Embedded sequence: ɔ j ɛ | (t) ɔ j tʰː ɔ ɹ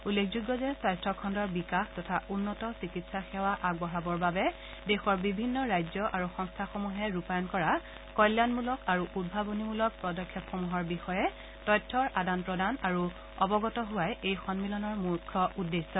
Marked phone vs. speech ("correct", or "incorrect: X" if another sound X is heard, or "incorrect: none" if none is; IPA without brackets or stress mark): correct